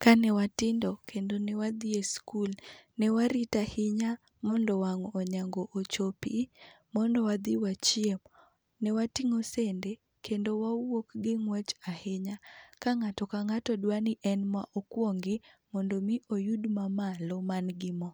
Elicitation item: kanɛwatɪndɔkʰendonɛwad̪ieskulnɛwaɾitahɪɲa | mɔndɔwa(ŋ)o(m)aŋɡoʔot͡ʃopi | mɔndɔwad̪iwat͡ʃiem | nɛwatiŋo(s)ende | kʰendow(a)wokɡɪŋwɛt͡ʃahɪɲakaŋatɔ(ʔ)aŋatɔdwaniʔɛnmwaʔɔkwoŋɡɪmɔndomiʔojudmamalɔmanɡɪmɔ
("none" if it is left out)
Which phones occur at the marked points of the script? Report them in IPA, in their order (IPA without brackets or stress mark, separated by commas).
ŋ, ɲ, s, a, k